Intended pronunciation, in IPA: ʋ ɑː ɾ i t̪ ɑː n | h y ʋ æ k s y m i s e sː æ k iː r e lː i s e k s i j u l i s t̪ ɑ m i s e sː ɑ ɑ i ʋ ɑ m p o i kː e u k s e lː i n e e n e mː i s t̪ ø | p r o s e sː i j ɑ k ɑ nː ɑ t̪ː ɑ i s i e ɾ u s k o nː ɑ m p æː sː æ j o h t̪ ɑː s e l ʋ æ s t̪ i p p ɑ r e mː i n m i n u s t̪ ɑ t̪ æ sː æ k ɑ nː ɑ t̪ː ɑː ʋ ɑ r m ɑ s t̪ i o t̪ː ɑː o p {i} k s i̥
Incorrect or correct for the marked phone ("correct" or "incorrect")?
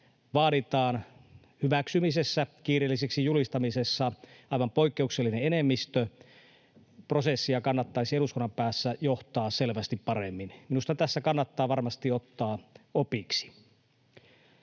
correct